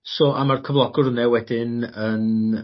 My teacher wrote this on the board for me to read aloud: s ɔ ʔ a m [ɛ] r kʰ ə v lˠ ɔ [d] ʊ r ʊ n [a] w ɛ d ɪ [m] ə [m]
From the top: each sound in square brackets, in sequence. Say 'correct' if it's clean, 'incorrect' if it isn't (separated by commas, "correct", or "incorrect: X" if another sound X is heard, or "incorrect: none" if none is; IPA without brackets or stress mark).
incorrect: a, incorrect: ɡ, incorrect: ɛ, incorrect: n, incorrect: n